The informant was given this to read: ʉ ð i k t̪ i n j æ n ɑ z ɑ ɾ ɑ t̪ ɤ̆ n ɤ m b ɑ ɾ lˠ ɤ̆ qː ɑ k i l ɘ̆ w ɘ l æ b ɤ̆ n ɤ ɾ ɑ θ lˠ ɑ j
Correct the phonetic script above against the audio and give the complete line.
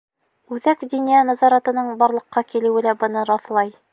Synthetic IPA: ʉ ð æ k d̪ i n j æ n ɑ z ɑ ɾ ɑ t̪ ɤ̆ n ɤ ɴ b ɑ ɾ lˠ ɤ̆ qː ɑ k i l ɘ̆ w ɘ l æ b ɤ̆ n ɤ ɾ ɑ θ lˠ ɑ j